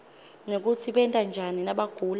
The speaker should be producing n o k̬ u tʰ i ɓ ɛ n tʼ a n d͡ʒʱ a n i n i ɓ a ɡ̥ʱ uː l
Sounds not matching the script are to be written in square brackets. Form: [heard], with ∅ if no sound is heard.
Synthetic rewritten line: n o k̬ u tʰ i ɓ ɛ n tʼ a n d͡ʒʱ a n i n [a] ɓ a ɡ̥ʱ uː l